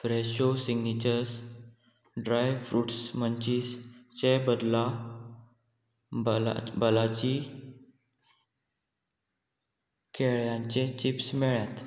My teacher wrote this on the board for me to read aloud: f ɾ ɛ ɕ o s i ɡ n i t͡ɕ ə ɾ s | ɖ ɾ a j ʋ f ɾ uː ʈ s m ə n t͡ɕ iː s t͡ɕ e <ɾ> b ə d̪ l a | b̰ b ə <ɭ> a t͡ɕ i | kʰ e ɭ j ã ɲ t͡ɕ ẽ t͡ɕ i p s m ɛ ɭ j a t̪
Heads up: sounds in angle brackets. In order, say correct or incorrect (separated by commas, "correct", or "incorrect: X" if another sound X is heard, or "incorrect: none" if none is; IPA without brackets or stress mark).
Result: incorrect: none, incorrect: l